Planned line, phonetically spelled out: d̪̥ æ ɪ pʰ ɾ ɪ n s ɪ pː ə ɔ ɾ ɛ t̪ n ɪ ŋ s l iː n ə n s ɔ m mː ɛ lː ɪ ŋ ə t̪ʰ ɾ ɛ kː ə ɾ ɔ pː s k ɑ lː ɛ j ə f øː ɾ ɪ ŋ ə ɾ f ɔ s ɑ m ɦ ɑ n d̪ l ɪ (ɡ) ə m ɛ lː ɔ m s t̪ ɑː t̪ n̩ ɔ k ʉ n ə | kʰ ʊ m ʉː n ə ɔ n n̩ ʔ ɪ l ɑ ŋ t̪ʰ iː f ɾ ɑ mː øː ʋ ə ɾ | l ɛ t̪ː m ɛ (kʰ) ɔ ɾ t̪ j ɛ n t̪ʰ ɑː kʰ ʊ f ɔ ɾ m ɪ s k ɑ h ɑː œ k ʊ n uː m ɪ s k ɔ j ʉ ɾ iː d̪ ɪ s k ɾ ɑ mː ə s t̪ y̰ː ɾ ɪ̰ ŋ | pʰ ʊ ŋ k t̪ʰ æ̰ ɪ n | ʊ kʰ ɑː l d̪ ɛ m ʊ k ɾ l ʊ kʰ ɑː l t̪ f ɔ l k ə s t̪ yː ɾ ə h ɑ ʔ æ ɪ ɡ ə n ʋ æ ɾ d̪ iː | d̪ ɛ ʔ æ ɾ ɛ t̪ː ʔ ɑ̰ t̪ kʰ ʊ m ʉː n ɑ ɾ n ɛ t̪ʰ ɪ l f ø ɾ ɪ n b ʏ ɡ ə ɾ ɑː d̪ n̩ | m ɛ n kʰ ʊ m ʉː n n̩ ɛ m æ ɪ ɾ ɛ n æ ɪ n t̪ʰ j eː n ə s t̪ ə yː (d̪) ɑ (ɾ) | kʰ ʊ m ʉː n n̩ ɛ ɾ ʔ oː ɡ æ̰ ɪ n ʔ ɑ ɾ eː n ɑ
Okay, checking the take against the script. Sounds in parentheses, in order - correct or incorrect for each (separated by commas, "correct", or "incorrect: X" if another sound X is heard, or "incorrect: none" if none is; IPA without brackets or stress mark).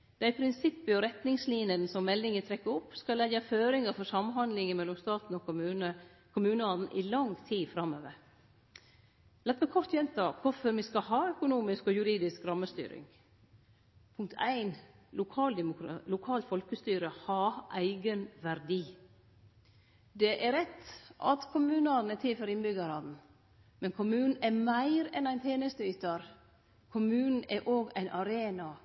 incorrect: ŋ, correct, incorrect: t̪, correct